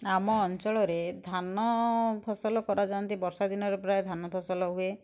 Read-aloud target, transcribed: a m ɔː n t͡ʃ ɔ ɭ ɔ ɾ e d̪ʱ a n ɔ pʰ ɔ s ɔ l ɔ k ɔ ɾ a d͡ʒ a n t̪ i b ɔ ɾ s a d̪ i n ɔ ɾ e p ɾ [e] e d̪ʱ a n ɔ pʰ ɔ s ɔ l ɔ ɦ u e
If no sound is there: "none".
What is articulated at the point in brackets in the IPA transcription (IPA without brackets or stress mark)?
a